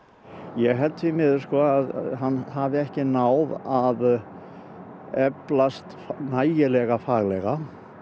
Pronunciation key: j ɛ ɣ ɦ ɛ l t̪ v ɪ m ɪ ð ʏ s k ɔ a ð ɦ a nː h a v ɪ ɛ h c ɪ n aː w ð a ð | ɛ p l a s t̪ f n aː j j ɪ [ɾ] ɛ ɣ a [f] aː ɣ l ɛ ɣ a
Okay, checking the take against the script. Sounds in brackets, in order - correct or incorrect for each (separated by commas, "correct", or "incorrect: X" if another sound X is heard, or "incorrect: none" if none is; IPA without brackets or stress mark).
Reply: incorrect: l, correct